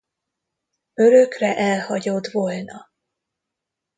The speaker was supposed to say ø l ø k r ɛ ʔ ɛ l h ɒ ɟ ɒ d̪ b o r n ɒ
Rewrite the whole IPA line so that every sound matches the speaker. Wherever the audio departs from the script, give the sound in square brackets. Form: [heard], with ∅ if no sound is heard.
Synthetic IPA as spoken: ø [ɾ] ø k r ɛ ʔ ɛ l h ɒ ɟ [o] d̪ [v] o [l] n ɒ